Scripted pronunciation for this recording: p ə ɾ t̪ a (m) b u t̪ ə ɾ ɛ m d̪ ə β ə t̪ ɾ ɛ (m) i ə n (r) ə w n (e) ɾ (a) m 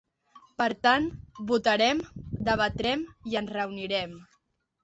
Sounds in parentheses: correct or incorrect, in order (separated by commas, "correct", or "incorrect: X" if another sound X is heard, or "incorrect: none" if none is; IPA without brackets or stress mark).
incorrect: n, correct, correct, incorrect: i, incorrect: ɛ